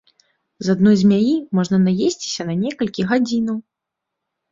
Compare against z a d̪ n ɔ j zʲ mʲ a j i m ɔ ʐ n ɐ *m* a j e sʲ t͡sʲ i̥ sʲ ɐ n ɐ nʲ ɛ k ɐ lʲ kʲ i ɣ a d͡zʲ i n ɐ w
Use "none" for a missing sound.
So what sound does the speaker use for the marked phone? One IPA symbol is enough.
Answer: n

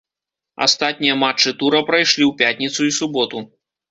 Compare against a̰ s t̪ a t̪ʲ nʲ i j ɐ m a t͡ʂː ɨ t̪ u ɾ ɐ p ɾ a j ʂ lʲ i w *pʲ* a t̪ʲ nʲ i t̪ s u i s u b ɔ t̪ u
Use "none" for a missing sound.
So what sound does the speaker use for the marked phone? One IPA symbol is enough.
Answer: pʲ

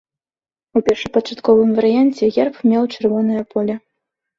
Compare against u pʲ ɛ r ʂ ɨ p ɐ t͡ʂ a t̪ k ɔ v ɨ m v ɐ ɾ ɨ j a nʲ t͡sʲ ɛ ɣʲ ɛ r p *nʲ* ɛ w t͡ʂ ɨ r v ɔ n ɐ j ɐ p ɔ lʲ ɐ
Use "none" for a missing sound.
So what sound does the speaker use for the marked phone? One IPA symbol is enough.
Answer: mʲ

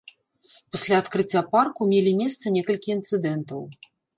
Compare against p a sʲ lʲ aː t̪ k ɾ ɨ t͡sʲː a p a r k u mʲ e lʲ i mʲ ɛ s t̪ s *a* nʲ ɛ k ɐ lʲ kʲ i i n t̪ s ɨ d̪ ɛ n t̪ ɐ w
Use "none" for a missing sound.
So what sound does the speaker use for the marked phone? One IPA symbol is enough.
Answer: ɐ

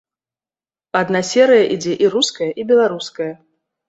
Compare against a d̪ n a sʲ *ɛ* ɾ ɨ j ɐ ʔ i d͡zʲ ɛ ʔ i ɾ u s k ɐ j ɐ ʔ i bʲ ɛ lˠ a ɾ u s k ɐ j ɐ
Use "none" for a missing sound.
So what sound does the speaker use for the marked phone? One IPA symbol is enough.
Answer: ɛ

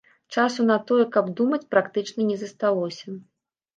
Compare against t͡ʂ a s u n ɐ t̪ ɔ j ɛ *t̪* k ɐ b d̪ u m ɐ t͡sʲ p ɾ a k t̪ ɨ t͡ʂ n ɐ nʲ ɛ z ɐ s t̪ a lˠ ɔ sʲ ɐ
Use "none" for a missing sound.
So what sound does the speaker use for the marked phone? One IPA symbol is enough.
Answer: none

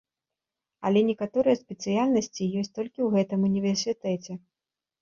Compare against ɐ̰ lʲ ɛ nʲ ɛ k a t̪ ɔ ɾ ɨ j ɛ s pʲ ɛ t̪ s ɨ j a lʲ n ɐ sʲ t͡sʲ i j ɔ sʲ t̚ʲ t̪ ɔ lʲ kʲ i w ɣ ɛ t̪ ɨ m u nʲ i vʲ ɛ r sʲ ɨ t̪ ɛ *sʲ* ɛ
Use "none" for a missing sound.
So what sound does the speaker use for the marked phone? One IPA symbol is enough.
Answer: t͡sʲ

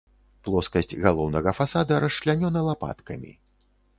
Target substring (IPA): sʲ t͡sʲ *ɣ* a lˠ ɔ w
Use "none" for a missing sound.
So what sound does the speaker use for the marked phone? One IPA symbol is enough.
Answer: ɣ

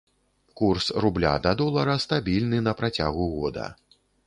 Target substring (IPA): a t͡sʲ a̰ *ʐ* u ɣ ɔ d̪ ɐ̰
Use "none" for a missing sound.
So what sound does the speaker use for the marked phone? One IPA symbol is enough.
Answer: ɣ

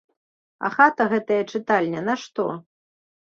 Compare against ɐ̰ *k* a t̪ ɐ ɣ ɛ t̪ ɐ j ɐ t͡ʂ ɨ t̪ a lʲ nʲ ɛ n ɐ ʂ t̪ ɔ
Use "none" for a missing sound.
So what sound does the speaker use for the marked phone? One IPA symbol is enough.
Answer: x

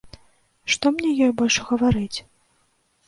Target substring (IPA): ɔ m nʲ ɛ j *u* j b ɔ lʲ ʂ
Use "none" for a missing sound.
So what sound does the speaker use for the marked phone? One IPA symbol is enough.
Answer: ɔ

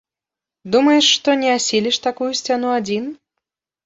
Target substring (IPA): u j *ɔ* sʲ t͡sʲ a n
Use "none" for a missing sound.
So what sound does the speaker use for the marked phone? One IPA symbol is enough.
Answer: u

